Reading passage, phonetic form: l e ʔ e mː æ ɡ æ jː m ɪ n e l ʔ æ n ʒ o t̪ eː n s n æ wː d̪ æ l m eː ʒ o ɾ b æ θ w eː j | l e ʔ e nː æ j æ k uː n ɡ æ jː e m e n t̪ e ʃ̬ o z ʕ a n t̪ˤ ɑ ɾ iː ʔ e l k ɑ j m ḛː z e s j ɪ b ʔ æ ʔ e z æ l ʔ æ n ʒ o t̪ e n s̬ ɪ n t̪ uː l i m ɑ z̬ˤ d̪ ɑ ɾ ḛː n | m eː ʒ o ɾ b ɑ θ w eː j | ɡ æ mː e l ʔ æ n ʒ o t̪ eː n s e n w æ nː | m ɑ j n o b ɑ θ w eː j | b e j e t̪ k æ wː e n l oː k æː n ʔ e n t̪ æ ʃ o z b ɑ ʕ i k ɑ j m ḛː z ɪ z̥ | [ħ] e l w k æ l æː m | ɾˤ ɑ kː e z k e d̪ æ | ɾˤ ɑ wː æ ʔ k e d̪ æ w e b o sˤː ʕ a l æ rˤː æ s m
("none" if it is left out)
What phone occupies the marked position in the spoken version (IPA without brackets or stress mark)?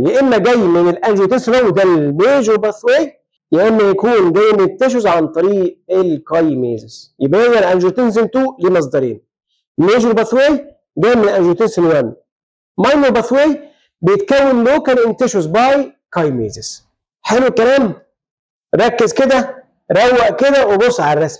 ħ